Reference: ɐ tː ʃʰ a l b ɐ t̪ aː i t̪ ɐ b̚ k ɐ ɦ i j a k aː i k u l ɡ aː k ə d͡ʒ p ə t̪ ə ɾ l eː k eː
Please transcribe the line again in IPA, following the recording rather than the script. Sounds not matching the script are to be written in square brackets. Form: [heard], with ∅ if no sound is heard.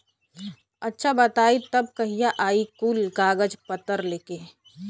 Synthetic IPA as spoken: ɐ tː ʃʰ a [∅] b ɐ t̪ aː i t̪ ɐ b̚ k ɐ ɦ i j a [ʔ] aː i k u l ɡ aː [ɡ] ə d͡ʒ p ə t̪ ə ɾ l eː k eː